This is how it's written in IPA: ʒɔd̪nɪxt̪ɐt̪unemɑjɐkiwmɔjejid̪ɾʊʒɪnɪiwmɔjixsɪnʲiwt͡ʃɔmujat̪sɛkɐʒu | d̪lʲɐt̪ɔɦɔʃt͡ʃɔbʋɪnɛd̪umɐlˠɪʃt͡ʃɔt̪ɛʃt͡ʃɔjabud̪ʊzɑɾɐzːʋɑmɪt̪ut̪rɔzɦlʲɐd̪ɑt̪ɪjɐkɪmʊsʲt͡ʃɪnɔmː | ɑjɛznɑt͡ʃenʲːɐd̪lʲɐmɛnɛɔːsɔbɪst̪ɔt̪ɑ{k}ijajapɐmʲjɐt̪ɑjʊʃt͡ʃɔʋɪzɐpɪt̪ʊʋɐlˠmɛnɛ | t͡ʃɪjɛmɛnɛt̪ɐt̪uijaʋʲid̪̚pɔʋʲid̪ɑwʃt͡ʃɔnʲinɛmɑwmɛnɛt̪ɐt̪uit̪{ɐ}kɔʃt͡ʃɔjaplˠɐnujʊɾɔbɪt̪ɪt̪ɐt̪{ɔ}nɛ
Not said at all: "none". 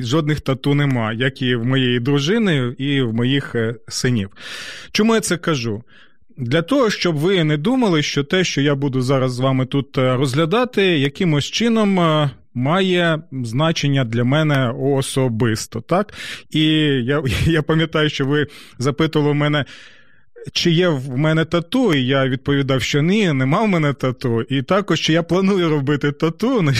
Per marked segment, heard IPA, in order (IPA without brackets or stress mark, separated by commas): k, ɑ, u